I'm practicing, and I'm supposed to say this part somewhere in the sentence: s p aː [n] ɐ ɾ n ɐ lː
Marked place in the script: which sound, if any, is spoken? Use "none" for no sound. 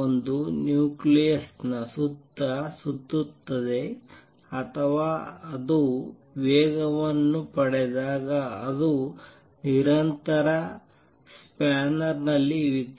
n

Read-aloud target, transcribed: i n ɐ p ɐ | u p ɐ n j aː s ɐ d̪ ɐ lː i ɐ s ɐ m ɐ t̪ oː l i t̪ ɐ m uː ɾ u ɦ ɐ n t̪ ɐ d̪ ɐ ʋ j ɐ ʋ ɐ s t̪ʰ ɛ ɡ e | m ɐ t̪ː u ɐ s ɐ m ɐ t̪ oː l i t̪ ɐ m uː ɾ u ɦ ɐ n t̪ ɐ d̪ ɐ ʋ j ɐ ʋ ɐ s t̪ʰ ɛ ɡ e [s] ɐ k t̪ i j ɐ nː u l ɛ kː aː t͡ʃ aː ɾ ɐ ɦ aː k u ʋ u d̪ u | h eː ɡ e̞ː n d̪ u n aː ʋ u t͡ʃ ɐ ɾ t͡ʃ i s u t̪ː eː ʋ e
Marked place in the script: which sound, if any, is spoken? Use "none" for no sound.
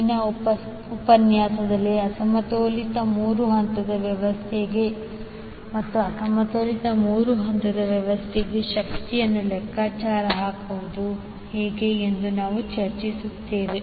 ʃ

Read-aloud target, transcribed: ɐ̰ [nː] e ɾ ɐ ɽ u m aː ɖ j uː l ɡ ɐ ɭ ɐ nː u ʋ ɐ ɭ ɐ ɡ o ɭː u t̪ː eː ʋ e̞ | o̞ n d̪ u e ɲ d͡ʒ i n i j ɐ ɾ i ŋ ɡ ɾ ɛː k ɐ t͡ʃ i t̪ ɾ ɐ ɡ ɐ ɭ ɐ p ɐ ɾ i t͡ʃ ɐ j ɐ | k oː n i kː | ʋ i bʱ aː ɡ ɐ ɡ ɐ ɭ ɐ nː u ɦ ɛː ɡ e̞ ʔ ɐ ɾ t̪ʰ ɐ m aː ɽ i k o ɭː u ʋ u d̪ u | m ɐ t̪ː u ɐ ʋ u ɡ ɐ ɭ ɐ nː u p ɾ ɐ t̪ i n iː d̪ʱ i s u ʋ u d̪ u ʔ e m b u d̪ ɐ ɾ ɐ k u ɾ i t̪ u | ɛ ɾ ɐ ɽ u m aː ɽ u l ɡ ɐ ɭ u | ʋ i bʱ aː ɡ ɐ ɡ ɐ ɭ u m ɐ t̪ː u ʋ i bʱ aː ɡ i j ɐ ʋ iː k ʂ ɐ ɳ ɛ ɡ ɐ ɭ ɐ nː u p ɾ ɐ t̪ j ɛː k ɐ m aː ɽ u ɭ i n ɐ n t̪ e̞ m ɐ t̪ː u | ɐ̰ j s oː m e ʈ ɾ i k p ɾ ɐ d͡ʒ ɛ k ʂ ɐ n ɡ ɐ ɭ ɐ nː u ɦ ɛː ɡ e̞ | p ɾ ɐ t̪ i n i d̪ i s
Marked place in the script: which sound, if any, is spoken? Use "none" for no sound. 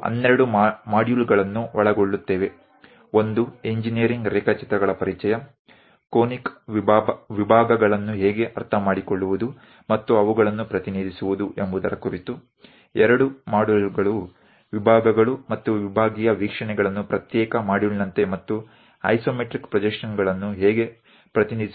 nː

